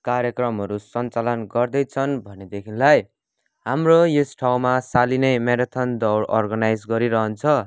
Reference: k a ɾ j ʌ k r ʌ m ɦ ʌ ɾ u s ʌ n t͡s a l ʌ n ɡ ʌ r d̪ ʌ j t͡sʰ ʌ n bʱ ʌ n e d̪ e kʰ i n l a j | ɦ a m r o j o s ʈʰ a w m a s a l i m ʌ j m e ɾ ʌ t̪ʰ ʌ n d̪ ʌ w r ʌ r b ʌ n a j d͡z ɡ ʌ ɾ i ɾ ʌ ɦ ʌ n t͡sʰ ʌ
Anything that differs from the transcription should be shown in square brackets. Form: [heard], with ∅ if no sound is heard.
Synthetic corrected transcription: k a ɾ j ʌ k r ʌ m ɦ ʌ ɾ u s ʌ n t͡s a l ʌ n ɡ ʌ r d̪ ʌ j t͡sʰ ʌ n bʱ ʌ n e d̪ e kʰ i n l a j | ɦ a m r o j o s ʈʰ a w m a s a l i [n] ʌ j m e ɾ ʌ t̪ʰ ʌ n d̪ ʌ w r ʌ r [ɡ] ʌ n a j d͡z ɡ ʌ ɾ i ɾ ʌ ɦ ʌ n t͡sʰ ʌ